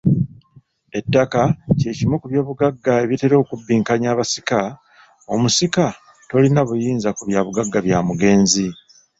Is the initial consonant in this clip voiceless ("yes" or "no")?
yes